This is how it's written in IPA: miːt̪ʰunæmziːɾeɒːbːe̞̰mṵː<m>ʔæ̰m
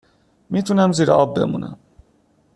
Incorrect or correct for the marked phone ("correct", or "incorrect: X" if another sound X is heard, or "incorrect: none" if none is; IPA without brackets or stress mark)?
incorrect: n